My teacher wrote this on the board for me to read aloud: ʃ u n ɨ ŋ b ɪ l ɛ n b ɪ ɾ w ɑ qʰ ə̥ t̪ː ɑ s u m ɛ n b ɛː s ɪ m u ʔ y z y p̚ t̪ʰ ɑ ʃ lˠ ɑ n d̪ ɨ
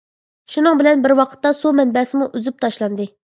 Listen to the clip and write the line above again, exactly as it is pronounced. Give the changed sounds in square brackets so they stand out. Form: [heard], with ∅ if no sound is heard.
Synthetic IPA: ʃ u n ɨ ŋ b ɪ l ɛ n b ɪ ɾ w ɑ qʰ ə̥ t̪ː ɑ s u m ɛ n b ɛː s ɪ m u ʔ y z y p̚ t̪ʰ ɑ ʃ lˠ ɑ n d̪ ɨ